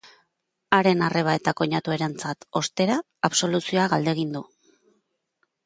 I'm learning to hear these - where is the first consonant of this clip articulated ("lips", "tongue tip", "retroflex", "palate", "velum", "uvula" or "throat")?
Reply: tongue tip